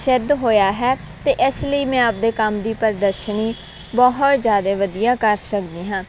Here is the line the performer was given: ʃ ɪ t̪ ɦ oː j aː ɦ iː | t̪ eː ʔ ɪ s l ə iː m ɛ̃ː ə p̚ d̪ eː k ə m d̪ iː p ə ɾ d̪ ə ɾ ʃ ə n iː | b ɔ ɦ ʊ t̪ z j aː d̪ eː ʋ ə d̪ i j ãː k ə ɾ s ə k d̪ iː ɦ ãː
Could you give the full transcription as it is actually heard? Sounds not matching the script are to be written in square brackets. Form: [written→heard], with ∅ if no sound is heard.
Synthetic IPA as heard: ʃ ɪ [t̪→d̪] ɦ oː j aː ɦ [iː→ɛː] | t̪ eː ʔ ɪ s l ə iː m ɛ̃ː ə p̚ d̪ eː k ə m d̪ iː p ə ɾ d̪ ə ɾ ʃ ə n iː | b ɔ ɦ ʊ t̪ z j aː d̪ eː ʋ ə d̪ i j [ãː→aː] k ə ɾ s ə k d̪ iː ɦ ãː